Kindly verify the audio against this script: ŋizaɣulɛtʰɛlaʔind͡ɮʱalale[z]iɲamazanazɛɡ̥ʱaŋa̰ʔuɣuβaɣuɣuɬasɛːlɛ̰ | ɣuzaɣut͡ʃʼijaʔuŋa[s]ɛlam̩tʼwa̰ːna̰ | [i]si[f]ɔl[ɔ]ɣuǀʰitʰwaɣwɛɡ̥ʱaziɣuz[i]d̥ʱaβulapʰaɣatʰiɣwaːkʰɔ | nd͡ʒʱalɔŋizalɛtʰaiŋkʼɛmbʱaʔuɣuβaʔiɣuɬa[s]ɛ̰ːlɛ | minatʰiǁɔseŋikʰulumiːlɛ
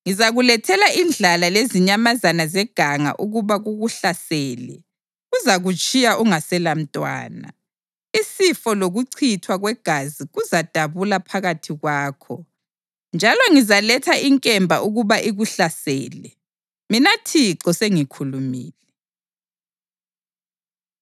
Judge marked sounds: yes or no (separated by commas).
yes, yes, yes, yes, no, no, yes